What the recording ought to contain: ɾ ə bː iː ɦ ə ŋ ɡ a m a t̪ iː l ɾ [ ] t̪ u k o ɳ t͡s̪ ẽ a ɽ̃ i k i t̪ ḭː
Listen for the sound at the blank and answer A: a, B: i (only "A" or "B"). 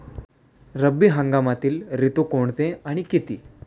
B